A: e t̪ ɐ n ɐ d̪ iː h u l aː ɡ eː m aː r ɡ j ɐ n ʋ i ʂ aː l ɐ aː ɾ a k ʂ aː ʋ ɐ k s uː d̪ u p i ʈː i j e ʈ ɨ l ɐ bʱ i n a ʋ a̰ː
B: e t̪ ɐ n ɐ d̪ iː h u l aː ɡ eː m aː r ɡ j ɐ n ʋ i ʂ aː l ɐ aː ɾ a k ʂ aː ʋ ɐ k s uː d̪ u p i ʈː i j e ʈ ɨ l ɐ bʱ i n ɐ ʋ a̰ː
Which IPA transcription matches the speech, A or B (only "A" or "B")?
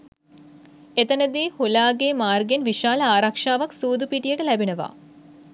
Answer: B